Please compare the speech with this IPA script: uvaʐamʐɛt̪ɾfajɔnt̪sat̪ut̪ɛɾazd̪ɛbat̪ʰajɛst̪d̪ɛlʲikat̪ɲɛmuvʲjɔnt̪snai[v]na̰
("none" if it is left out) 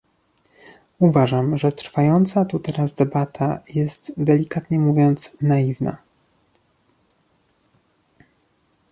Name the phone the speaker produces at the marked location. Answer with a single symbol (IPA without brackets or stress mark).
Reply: v